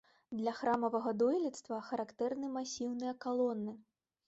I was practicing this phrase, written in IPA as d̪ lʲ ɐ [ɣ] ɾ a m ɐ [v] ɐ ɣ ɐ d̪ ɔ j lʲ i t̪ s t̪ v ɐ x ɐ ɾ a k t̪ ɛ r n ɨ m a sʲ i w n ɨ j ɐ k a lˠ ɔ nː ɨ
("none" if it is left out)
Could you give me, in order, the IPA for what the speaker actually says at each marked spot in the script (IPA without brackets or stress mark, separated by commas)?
x, v